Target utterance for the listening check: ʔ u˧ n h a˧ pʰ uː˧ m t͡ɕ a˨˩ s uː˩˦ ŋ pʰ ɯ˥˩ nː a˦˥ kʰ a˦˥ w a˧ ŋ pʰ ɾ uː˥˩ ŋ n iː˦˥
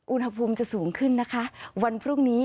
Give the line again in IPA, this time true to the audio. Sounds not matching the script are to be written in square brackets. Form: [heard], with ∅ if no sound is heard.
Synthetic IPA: ʔ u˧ n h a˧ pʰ uː˧ m t͡ɕ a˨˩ s uː˩˦ ŋ [kʰ] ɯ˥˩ nː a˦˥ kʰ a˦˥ w a˧ [n] pʰ ɾ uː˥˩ ŋ n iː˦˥